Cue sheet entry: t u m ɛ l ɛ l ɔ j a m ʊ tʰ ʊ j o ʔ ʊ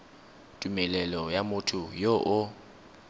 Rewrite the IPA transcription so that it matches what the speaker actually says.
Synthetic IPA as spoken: tʼ u m ɛ l ɛ l ɔ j a m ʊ tʰ ʊ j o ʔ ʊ